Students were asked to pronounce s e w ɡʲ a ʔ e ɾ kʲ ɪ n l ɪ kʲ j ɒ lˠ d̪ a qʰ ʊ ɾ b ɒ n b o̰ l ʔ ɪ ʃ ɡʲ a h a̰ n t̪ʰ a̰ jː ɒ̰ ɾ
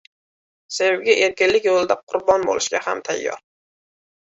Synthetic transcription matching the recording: s e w ɡʲ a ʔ e ɾ kʲ ɪ n l ɪ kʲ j o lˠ d̪ a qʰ ʊ ɾ b ɒ n b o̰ l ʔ ɪ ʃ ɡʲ a h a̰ m t̪ʰ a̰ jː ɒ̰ ɾ